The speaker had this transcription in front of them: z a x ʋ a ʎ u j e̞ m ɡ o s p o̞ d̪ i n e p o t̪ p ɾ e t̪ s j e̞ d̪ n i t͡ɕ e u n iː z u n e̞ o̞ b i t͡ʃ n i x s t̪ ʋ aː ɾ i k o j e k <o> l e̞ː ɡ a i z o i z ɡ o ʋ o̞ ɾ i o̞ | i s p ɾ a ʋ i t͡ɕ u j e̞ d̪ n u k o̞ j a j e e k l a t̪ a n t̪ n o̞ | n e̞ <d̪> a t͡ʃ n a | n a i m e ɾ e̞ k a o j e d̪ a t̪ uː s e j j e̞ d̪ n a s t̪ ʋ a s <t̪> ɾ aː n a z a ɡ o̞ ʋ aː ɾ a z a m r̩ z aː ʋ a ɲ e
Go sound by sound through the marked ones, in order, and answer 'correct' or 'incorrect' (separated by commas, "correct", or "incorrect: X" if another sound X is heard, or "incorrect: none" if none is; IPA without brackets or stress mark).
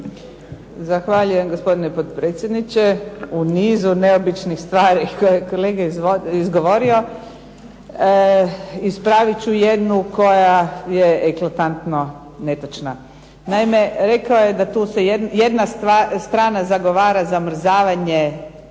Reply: correct, incorrect: t̪, correct